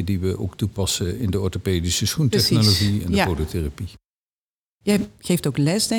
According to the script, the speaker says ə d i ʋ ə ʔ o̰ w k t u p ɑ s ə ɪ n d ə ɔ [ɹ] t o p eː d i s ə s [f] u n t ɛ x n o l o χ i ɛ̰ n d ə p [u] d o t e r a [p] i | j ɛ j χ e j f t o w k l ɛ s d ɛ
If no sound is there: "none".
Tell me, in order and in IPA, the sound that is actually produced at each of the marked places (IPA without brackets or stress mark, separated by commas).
ɹ, χ, o, p